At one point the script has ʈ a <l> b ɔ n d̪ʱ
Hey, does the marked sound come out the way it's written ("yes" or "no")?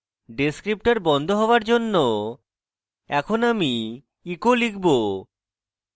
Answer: no